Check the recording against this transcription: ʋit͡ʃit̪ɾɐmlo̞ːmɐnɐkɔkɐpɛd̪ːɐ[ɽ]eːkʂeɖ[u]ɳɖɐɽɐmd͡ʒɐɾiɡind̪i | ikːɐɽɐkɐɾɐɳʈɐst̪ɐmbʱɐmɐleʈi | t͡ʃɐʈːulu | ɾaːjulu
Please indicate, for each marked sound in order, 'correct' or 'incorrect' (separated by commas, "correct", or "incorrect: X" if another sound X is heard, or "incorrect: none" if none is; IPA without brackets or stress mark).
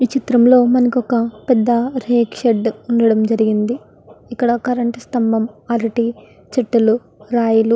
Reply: incorrect: ɾ, correct